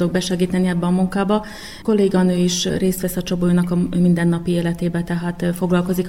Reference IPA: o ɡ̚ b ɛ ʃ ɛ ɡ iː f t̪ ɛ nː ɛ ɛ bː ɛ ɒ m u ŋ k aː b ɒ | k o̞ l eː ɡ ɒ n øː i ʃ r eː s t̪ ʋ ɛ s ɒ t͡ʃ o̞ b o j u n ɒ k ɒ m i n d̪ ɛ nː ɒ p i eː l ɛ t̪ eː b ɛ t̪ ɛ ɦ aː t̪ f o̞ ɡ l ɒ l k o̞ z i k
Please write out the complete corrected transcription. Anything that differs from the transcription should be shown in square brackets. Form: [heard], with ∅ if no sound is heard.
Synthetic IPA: o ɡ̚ b ɛ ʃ ɛ ɡ iː [∅] t̪ ɛ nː [i] ɛ bː ɛ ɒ m u ŋ k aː b ɒ | k o̞ l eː ɡ ɒ n øː i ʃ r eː s t̪ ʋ ɛ s ɒ t͡ʃ o̞ b o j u n ɒ k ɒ m i n d̪ ɛ nː ɒ p i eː l ɛ t̪ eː b ɛ t̪ ɛ ɦ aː t̪ f o̞ ɡ l ɒ l k o̞ z i k